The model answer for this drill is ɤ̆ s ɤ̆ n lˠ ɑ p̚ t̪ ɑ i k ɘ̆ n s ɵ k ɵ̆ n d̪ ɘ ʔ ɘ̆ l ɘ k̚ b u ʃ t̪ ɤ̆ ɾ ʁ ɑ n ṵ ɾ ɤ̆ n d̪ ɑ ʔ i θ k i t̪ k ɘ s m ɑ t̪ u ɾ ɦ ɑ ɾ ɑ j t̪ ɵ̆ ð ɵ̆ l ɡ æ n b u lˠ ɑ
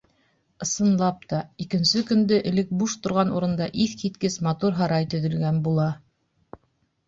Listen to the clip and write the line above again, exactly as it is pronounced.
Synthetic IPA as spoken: ɤ̆ s ɤ̆ n lˠ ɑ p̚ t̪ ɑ i k ɘ̆ n s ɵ k ɵ̆ n d̪ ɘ ʔ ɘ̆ l ɘ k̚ b u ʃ t̪ ŏ ɾ ʁ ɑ n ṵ ɾ ɤ̆ n d̪ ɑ ʔ i θ k i t̪ k ɘ s m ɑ t̪ u ɾ ɦ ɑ ɾ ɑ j t̪ ɵ̆ ð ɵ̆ l ɡ æ n b u lˠ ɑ